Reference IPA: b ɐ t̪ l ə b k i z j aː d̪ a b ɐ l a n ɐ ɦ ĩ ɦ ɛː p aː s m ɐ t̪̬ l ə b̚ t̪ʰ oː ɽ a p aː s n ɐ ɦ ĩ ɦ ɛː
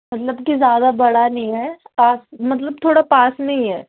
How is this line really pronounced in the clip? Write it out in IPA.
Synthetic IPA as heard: m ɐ t̪ l ə b k i z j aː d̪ a b ɐ ɽ a n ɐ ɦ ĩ ɦ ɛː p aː s m ɐ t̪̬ l ə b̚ t̪ʰ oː ɽ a p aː s n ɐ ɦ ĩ ɦ ɛː